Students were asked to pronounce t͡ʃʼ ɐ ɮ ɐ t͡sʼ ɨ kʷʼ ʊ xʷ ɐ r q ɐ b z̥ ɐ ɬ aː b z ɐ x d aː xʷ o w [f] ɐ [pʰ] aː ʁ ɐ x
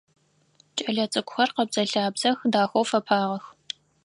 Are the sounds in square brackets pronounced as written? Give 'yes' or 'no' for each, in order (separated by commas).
yes, yes